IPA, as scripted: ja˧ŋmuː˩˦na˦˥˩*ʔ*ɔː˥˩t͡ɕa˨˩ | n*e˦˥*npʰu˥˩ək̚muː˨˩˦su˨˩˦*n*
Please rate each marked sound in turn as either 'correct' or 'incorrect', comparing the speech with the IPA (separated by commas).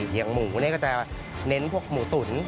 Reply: incorrect, correct, correct